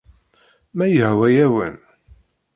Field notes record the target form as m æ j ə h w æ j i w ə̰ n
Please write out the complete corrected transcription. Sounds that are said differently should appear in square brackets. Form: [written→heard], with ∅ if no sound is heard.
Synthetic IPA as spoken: m æ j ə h w æ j [i→æ] w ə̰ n